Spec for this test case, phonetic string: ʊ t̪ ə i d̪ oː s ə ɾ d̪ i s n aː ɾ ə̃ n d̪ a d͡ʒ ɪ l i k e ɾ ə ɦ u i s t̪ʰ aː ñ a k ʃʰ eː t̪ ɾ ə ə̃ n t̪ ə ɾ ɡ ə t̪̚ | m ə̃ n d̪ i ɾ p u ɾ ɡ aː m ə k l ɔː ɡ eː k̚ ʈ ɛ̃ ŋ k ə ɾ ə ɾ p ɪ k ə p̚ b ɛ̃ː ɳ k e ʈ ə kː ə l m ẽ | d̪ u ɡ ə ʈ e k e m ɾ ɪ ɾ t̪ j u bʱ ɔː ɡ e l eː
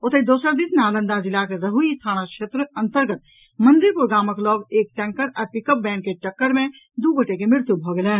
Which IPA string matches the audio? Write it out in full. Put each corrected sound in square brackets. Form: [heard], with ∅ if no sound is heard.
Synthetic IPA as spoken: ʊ t̪ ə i d̪ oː s ə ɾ d̪ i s n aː [l] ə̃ n d̪ a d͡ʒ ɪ l [a] k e ɾ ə ɦ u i s t̪ʰ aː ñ a k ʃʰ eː t̪ ɾ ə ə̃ n t̪ ə ɾ ɡ ə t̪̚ | m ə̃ n d̪ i ɾ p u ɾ ɡ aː m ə k l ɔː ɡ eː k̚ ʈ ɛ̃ ŋ k ə ɾ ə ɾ p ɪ k ə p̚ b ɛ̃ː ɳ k e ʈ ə kː ə [ɾ] m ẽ | d̪ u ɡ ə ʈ e k e m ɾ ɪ ɾ t̪ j u bʱ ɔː ɡ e l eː